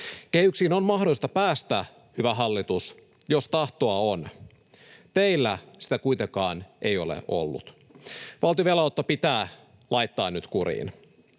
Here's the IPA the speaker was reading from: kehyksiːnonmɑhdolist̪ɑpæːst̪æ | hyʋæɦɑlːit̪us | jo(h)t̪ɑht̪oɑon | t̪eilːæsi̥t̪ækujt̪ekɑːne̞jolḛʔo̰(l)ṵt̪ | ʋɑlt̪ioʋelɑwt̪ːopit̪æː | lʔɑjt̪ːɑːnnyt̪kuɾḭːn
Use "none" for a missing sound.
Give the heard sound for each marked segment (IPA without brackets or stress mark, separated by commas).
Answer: s, lː